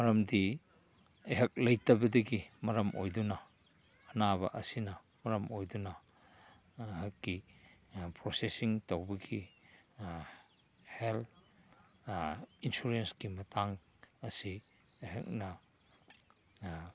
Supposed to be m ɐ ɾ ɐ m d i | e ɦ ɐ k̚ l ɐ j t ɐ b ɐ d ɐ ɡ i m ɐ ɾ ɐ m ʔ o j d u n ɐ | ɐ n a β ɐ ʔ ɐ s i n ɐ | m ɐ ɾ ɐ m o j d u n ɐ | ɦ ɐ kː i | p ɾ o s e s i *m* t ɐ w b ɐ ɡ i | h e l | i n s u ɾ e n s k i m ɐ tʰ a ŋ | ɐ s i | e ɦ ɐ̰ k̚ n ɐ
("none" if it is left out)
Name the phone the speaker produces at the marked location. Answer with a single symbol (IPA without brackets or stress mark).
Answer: ŋ